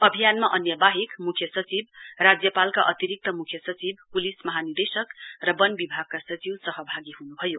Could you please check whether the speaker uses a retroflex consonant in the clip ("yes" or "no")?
no